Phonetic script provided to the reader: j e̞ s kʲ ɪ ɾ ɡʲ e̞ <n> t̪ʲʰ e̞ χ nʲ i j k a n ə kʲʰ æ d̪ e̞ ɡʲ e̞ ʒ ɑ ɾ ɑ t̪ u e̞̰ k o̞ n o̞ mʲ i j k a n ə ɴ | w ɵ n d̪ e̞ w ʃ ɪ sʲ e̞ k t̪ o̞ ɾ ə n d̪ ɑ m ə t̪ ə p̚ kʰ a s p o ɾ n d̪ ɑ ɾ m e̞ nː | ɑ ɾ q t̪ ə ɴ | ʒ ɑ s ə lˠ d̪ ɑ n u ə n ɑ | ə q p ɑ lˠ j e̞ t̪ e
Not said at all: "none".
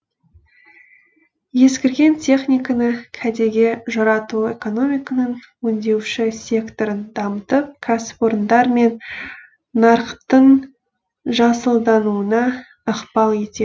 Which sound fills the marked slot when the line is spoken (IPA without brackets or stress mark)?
n